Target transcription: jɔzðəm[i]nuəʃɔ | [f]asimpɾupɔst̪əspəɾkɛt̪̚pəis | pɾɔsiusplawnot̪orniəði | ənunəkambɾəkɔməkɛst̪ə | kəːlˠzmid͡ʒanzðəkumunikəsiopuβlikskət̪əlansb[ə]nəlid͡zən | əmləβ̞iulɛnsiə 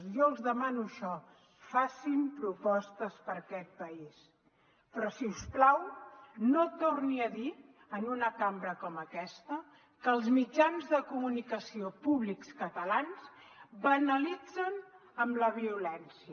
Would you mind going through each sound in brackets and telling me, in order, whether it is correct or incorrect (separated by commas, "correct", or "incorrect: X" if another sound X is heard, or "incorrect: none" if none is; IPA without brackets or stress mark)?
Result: incorrect: a, correct, correct